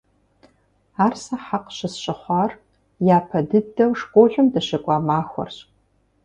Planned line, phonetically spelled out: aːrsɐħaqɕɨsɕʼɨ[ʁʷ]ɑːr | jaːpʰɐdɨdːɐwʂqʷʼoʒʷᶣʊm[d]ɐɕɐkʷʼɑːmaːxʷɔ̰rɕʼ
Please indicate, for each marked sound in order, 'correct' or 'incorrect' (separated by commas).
incorrect, correct